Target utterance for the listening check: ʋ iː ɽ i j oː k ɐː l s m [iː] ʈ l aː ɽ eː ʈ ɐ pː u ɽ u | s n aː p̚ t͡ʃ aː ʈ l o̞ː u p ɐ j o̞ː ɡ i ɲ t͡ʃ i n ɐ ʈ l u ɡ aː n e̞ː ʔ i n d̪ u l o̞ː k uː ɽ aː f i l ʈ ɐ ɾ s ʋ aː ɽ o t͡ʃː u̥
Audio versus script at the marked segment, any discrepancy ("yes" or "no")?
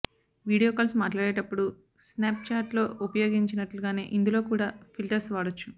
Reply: yes